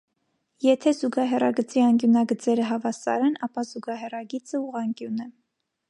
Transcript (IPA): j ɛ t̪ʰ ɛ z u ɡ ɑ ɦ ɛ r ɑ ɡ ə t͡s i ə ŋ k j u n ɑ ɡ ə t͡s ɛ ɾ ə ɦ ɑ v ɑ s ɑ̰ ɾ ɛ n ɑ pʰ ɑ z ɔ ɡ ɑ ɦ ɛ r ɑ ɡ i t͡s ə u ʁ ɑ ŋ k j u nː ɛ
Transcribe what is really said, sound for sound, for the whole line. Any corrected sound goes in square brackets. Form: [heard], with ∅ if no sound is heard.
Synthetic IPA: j ɛ t̪ʰ ɛ z u ɡ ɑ ɦ ɛ r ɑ ɡ ə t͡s i [ɑ] ŋ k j u n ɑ ɡ ə t͡s ɛ ɾ ə ɦ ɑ v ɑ s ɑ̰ ɾ ɛ n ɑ [p] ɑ z [u] ɡ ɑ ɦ ɛ r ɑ ɡ i t͡s ə u ʁ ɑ ŋ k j u [n] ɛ